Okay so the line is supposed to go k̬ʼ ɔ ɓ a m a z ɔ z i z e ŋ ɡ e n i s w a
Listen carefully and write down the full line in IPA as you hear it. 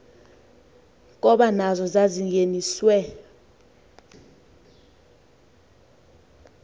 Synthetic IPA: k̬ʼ ɔ ɓ a n a z ɔ z a z i ŋ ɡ e n i s w ɛ

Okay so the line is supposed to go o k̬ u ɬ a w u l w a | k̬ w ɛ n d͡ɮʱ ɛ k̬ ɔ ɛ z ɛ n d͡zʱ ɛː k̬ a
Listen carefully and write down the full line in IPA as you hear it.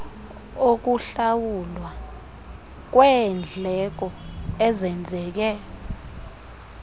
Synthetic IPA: o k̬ u ɬ a w u l w a | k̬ w ɛ n d͡ɮʱ ɛ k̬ ɔ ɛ z ɛ n d͡zʱ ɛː k̬ ɛ

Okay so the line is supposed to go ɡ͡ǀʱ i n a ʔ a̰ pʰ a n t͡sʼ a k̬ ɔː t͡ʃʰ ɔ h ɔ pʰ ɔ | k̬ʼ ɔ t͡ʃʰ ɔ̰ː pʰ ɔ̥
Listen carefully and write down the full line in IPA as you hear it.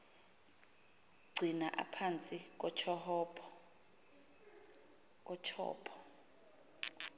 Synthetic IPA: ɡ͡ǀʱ i n a ʔ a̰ pʰ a n t͡sʼ i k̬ ɔ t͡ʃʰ ɔ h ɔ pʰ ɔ | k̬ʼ ɔ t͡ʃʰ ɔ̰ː pʰ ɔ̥

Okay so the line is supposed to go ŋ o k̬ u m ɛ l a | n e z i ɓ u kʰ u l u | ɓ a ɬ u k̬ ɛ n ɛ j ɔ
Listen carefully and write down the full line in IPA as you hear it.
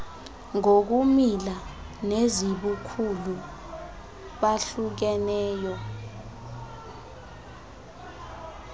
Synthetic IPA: ŋ o k̬ u m i l a | n e z i ɓ u kʰ u l u | ɓ a ɬ u k̬ ɛ n ɛː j ɔ

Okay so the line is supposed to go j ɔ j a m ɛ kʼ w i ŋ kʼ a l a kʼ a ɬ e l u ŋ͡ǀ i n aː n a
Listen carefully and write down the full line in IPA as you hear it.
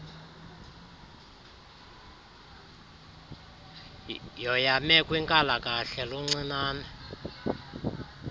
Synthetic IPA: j ɔ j a m ɛ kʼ w i ŋ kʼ a l a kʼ a ɬ ɛ l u ŋ͡ǀ i n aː n a

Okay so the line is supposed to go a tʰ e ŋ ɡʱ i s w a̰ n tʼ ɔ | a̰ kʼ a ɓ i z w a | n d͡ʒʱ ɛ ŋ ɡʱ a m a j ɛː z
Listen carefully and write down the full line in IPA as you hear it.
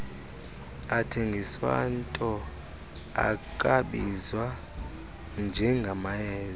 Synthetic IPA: a tʰ e ŋ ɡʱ i s w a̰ n tʼ ɔ | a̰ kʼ a ɓ i z w a | n d͡ʒʱ ɛ ŋ ɡʱ a m a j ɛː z

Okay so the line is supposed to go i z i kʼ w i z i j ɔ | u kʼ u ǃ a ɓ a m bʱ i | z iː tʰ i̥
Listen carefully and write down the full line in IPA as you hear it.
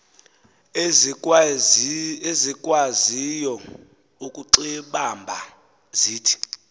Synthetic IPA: e z i kʼ w a z i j ɔ | u kʼ u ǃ i ɓ a m bʱ a | z iː tʰ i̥

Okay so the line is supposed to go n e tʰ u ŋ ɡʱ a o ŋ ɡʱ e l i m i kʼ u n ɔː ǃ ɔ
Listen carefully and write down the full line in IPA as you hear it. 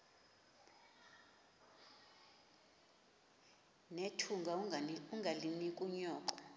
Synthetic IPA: n e tʰ u ŋ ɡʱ a u ŋ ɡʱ a l i n i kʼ u ɲ ɔː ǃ ɔ

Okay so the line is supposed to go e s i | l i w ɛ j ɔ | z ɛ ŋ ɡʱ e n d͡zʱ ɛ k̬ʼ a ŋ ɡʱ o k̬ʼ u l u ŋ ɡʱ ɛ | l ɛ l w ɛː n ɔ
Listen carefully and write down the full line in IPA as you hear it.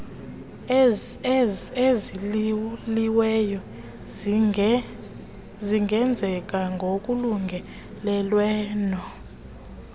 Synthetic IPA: e z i | l i w ɛ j ɔ | z i ŋ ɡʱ ɛ n d͡zʱ ɛ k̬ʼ a ŋ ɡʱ o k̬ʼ u l u ŋ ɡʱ ɛ | l ɛ l w ɛː n ɔ

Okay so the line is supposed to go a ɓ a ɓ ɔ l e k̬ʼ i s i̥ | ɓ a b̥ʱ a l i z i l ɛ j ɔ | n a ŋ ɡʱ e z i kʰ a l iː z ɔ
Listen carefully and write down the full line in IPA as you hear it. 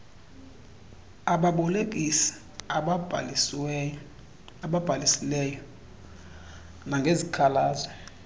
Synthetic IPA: a ɓ a ɓ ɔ l e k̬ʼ i s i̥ | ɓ a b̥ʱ a l i s i l ɛ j ɔ | n a ŋ ɡʱ e z i kʰ a l aː z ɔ

